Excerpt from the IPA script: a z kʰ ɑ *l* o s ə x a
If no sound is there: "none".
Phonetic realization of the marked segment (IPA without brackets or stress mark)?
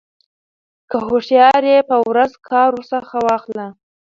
ɾ